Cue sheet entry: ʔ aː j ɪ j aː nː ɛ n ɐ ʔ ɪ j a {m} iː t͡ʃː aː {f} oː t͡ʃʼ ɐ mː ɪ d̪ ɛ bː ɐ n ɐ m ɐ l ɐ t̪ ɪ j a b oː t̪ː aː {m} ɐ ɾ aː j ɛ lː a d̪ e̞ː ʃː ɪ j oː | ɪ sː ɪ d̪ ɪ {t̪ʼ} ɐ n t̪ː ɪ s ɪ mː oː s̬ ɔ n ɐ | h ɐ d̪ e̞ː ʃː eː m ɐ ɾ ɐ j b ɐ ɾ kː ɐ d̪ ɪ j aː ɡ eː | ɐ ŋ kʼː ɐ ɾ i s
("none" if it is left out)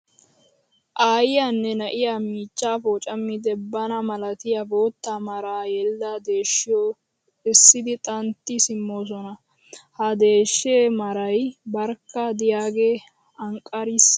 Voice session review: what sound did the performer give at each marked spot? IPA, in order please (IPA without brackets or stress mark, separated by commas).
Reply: m, f, m, t̪ʼ